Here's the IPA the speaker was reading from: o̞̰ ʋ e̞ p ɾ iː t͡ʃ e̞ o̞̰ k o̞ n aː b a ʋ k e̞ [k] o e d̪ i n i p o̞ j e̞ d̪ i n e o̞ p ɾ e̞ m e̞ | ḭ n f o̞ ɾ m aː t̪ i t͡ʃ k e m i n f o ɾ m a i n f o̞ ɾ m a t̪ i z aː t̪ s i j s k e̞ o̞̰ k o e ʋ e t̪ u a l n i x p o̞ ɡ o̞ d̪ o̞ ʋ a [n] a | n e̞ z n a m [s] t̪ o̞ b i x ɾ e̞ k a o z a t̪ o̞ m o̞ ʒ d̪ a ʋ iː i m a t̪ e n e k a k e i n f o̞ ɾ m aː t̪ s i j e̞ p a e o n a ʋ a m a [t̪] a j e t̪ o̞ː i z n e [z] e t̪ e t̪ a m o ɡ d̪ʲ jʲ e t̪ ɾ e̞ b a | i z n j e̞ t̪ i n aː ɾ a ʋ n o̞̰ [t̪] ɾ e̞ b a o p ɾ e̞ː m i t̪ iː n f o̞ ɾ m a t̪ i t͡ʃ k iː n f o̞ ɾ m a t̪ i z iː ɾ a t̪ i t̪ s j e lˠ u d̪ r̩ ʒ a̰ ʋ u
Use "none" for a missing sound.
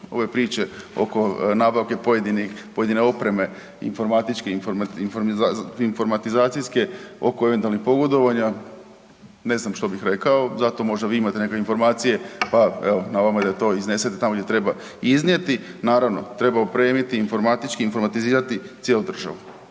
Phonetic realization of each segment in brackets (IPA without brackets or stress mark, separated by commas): p, ɲ, ʃ, d̪, s, t̪